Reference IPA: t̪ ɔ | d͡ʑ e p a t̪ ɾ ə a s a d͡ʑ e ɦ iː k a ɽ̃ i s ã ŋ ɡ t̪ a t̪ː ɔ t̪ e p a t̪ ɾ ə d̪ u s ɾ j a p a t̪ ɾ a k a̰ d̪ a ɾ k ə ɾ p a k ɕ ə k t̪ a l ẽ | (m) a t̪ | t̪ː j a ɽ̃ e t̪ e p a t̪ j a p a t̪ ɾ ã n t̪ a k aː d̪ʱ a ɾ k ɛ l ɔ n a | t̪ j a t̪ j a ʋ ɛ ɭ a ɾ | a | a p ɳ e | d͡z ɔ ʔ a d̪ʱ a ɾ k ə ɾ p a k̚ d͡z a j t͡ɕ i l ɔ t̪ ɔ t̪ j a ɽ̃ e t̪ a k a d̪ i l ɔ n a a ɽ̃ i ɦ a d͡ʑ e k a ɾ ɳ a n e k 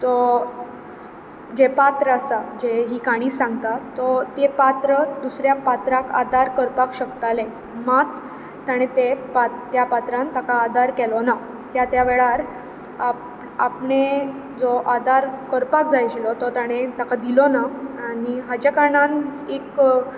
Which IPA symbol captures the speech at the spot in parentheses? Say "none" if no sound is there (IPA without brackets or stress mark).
m